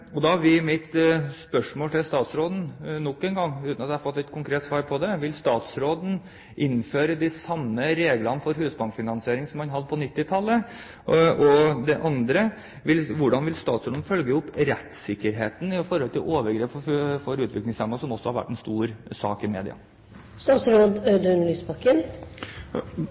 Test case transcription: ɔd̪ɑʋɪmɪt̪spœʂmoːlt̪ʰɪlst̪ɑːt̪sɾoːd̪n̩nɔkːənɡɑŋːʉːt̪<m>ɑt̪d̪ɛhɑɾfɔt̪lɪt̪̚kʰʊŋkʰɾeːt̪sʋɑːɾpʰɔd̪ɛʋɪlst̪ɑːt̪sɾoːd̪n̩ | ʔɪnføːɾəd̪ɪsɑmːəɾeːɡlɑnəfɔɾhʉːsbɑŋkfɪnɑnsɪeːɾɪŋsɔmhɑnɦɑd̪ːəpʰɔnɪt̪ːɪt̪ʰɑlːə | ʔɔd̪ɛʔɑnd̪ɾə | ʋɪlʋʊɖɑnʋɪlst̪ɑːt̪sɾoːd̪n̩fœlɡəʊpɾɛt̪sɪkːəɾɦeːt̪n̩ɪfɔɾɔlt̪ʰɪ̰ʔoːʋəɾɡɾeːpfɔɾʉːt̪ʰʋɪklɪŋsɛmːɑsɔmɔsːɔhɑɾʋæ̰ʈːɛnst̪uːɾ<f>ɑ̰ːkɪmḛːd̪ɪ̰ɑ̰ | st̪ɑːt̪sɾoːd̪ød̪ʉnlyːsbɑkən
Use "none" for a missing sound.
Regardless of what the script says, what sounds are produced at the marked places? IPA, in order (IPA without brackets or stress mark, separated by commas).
n, s